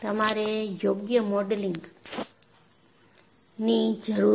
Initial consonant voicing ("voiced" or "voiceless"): voiceless